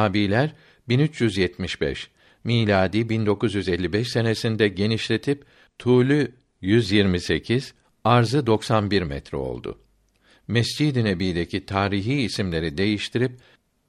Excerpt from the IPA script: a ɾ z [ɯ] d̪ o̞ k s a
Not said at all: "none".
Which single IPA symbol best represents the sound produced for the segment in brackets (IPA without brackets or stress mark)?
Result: ɯ